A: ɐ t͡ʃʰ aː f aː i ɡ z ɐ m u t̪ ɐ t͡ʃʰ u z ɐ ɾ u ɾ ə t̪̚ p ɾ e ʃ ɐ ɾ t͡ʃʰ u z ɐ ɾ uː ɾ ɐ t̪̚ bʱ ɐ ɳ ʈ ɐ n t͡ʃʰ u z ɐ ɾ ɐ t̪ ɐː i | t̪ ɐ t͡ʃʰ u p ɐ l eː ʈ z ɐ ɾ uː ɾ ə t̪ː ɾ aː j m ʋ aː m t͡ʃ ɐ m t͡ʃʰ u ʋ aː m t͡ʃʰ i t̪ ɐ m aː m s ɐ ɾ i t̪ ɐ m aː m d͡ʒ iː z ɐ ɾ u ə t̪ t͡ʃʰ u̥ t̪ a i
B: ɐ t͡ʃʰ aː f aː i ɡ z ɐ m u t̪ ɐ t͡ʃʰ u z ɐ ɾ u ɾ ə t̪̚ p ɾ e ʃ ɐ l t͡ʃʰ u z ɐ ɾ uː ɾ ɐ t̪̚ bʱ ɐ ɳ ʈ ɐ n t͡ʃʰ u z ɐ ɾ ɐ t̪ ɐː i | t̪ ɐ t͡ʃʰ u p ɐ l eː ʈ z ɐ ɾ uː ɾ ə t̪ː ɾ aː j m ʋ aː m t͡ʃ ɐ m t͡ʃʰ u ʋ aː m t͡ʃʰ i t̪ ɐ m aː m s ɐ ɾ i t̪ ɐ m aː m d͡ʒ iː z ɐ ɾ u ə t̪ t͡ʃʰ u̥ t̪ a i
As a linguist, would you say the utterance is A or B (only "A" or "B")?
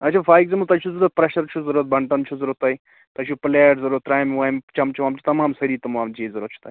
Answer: A